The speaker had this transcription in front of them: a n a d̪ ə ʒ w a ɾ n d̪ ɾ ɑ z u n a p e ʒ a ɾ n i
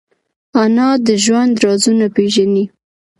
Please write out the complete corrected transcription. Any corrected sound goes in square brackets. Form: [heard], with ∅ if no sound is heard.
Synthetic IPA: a n [ɑ] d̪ ə ʒ w a [∅] n d̪ ɾ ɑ z u n a p e ʒ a [∅] n i